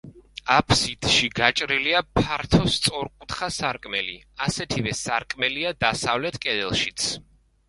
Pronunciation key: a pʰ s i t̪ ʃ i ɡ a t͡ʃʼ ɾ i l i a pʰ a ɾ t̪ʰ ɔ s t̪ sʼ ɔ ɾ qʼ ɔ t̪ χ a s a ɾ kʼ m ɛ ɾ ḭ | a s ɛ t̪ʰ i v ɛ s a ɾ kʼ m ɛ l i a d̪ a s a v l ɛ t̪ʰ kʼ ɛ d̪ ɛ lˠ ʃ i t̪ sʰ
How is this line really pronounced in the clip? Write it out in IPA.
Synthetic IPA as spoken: a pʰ s i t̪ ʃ i ɡ a t͡ʃʼ ɾ i l i a pʰ a ɾ t̪ʰ ɔ s t̪ sʼ ɔ ɾ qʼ u t̪ χ a s a ɾ kʼ m ɛ l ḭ | a s ɛ t̪ʰ i v ɛ s a ɾ kʼ m ɛ l i a d̪ a s a v l ɛ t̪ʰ kʼ ɛ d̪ ɛ lˠ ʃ i t̪ sʰ